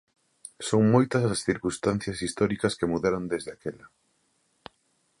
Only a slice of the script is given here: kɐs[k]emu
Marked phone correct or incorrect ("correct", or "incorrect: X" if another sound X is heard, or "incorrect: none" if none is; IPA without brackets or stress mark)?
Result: correct